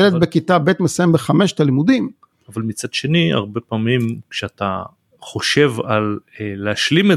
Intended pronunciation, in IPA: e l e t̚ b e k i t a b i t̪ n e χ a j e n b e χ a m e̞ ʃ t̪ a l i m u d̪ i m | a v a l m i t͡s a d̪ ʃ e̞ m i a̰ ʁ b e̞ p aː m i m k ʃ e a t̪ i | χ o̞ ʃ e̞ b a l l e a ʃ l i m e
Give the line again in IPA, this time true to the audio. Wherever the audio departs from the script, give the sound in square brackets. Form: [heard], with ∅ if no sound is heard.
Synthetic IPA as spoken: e l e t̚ b e k i t a b [e] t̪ [m] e [s] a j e [m] b e χ a m e̞ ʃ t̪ a l i m u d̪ i m | a v a l m i t͡s a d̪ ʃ e̞ [n] i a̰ ʁ b e̞ p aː m i m k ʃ e a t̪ [a] | χ o̞ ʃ e̞ [v] a l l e a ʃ l i m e